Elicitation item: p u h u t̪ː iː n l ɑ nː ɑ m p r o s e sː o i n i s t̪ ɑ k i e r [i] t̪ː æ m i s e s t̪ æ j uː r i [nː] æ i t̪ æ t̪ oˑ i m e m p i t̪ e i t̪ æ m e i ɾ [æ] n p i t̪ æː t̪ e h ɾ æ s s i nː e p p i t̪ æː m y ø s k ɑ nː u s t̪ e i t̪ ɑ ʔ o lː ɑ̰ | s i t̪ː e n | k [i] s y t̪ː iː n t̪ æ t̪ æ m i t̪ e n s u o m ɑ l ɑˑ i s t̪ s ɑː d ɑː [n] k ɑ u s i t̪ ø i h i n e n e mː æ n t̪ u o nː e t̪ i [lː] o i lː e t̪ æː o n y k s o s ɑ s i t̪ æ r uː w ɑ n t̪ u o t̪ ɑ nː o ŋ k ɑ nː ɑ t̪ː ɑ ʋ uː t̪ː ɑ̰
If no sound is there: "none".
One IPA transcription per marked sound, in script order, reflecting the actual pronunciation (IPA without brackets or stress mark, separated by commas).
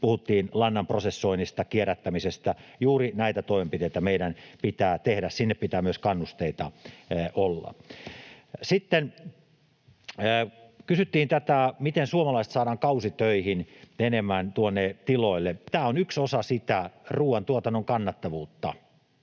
æ, n, æ, y, ŋ, l